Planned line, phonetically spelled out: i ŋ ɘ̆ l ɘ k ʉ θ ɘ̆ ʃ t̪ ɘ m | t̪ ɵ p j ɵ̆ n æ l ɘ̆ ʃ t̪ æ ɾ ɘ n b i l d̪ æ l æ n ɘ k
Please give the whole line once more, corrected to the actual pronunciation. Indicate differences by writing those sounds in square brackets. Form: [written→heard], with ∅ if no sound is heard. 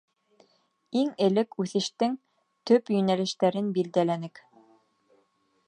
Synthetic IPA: i ŋ ɘ̆ l ɘ k ʉ θ ɘ̆ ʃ t̪ ɘ [m→ŋ] | t̪ ɵ p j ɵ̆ n æ l ɘ̆ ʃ t̪ æ ɾ ɘ n b i l d̪ æ l æ n ɘ k